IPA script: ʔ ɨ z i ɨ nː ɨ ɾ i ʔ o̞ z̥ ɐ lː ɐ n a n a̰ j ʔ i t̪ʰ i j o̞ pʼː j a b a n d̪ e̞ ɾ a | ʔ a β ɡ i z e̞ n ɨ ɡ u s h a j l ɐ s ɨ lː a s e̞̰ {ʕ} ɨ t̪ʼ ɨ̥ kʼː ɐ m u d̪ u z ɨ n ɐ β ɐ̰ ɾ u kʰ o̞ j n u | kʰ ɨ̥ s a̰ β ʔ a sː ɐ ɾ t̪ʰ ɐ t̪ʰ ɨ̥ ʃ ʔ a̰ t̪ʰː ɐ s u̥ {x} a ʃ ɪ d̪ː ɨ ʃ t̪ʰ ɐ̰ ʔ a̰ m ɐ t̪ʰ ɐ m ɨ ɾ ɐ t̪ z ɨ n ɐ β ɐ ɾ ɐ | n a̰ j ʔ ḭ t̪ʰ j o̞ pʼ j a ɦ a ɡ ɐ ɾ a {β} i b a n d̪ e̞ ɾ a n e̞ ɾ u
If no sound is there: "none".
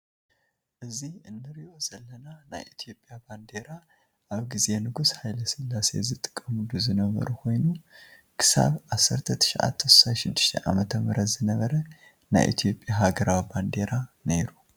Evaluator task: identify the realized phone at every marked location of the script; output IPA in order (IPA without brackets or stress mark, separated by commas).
z, s, w